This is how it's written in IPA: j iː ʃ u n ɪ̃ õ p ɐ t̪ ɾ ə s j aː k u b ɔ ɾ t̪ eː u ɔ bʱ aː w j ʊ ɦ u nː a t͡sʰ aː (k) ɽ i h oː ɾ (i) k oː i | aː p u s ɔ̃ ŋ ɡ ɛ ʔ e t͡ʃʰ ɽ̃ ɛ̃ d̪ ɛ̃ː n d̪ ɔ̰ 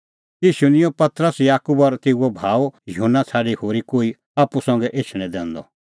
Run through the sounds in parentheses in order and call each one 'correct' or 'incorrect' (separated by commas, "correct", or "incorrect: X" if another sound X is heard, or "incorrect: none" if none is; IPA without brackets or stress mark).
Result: incorrect: none, correct